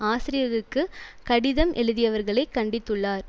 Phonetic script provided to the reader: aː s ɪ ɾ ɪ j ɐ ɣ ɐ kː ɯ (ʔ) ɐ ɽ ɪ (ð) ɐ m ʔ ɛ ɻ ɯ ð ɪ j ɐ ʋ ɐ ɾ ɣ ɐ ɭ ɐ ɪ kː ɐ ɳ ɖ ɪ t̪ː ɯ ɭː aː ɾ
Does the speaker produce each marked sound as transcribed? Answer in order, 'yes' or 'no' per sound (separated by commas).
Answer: no, yes